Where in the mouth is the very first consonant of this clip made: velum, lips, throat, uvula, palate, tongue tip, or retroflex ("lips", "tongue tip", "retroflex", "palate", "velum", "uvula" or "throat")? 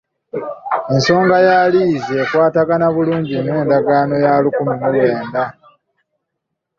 tongue tip